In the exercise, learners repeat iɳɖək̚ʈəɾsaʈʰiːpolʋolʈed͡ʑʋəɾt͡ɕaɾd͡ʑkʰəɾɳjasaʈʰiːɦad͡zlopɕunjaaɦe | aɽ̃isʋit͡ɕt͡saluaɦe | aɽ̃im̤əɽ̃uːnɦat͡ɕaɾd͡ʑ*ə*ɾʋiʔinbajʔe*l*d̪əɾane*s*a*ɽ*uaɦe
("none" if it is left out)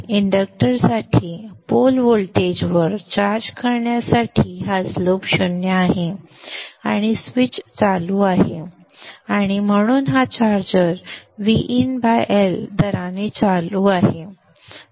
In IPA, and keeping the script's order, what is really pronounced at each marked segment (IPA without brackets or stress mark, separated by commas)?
ə, l, t͡s, l